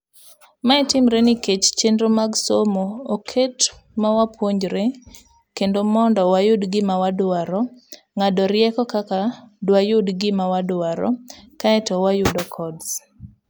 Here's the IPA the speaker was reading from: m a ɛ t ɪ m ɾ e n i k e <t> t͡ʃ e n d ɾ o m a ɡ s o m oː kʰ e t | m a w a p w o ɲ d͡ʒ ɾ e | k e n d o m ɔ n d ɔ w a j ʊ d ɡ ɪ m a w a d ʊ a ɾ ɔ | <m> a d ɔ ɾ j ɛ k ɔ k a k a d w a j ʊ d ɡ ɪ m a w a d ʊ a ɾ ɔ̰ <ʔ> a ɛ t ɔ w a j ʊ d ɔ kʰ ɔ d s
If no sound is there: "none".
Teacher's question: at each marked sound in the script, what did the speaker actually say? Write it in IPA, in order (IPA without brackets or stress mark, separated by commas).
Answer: t͡ʃ, ŋ, k